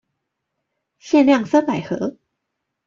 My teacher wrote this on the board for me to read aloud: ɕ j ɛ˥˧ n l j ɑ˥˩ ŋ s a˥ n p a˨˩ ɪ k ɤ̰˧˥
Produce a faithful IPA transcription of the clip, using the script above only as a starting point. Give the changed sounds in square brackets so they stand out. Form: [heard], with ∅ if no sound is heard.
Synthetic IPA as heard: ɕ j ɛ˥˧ n l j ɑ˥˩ ŋ s a˥ n p a˨˩ ɪ [x] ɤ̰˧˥